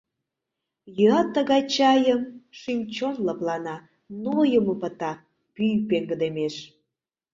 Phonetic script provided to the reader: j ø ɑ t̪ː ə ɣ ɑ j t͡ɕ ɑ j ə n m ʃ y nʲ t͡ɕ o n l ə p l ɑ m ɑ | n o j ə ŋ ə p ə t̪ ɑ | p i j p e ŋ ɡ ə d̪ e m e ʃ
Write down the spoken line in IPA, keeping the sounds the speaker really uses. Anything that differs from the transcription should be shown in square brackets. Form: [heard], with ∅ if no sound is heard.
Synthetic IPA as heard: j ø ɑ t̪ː ə ɣ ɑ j t͡ɕ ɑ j ə [∅] m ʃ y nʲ t͡ɕ o n l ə p l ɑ [n] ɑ | n o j ə [m] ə p ə t̪ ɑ | p [y] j p e ŋ ɡ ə d̪ e m e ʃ